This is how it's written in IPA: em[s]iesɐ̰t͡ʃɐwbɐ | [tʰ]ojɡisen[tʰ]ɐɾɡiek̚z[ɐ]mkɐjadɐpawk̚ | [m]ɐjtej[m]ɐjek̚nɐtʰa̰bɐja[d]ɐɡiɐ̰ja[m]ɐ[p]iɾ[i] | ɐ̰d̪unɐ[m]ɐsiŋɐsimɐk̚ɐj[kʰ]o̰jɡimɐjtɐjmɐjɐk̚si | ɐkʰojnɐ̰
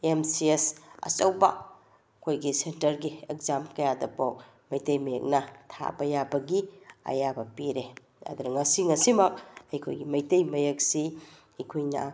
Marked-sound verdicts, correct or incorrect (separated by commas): correct, incorrect, incorrect, incorrect, correct, correct, incorrect, incorrect, correct, incorrect, incorrect, correct